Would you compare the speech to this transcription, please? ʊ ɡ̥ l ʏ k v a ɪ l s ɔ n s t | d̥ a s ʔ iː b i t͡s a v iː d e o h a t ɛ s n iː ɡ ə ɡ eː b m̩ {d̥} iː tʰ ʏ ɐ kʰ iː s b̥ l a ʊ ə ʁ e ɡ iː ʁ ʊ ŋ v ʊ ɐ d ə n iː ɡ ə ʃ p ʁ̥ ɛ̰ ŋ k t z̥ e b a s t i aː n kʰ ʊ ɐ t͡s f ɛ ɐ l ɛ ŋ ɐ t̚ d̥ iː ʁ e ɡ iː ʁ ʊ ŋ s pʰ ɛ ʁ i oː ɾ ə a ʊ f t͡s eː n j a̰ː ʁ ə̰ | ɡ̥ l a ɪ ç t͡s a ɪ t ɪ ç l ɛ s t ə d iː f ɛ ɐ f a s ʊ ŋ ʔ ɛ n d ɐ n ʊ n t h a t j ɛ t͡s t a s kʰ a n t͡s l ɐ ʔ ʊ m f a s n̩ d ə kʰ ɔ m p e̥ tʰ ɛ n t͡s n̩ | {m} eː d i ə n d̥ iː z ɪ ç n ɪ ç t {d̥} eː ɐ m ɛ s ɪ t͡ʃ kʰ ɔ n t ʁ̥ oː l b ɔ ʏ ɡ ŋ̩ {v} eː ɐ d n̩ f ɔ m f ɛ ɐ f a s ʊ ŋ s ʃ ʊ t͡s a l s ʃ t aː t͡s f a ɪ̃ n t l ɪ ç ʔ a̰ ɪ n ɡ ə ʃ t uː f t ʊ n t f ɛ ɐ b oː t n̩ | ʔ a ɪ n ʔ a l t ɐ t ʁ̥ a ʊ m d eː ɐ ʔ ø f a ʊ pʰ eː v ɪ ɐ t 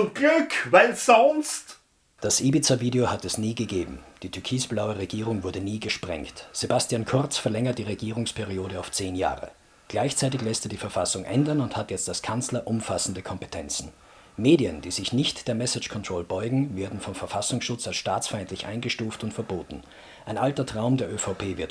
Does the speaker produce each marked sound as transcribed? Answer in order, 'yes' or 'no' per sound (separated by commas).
yes, yes, yes, yes